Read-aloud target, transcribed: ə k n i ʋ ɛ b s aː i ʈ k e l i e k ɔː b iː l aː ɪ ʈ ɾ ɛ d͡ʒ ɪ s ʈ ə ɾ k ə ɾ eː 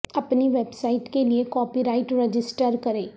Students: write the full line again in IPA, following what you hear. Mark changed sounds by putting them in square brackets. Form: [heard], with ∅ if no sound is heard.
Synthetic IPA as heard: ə [p] n i ʋ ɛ b s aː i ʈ k e l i e k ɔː [p] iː [ɾ] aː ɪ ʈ ɾ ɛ d͡ʒ ɪ s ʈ ə ɾ k ə ɾ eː